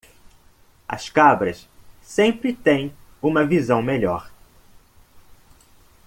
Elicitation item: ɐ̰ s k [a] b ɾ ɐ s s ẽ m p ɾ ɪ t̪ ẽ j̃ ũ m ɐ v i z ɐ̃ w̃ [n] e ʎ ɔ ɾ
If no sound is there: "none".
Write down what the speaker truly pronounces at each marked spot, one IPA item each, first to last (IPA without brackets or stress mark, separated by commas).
a, m